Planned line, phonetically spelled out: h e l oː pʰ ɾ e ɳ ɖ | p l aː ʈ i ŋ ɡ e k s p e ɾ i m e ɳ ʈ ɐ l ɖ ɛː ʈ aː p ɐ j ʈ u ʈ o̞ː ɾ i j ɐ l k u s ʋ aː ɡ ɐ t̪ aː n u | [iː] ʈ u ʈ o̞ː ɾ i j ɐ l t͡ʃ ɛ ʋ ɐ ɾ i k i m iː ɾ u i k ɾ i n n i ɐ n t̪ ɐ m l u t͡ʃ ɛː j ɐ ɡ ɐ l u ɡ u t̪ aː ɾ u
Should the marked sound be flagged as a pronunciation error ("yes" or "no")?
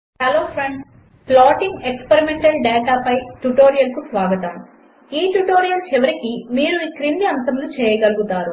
no